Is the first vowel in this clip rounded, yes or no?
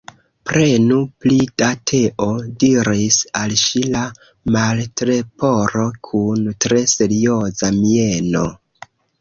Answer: no